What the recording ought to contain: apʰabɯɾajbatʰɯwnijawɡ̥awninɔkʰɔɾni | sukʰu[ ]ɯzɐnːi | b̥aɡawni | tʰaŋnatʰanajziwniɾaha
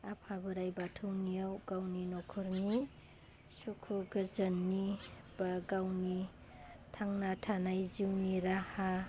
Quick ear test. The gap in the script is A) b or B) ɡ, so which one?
B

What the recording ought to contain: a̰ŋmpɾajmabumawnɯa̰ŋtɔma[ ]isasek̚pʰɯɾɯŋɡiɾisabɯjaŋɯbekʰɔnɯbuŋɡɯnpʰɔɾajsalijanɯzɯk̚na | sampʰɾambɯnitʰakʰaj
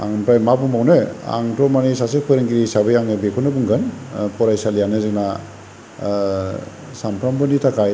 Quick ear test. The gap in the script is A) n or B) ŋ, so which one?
A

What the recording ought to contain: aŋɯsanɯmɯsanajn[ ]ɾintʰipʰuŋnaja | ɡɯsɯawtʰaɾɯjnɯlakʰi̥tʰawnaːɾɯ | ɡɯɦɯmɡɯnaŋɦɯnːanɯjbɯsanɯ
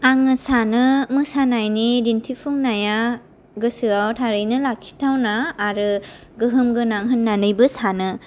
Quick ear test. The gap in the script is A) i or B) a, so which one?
A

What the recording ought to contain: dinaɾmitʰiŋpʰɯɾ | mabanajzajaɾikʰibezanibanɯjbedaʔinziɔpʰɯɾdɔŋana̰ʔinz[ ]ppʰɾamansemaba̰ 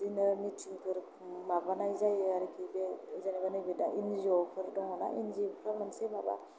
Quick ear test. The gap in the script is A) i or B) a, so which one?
A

